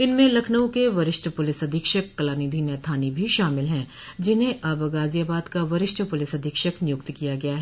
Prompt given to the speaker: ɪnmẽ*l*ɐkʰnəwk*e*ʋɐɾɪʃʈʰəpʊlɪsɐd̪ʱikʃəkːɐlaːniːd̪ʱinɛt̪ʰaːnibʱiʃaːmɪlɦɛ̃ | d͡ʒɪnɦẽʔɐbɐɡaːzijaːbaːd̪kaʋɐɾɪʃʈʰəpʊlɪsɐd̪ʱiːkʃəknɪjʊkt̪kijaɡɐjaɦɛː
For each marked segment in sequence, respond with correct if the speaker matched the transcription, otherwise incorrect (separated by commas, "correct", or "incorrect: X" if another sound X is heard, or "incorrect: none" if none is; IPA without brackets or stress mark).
correct, correct